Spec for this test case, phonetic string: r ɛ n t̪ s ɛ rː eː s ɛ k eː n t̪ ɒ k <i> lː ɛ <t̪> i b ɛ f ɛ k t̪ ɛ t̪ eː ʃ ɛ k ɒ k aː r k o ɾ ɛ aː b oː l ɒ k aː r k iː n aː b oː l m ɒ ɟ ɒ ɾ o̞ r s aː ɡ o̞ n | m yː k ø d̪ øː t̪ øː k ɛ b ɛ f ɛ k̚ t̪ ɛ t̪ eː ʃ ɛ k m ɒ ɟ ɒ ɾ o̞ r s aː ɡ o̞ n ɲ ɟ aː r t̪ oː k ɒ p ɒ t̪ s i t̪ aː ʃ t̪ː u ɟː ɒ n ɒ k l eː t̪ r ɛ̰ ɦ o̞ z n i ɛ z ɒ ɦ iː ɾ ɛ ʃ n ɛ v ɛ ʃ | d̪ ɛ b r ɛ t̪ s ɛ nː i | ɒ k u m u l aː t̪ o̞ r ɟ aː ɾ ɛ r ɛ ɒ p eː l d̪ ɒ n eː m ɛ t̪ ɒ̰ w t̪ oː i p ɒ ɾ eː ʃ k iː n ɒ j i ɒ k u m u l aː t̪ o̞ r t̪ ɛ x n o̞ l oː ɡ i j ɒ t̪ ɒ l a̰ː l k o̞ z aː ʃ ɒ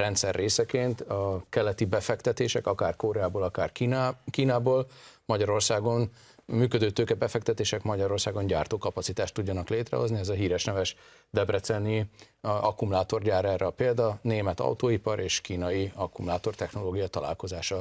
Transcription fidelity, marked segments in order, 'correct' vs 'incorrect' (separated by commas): incorrect, correct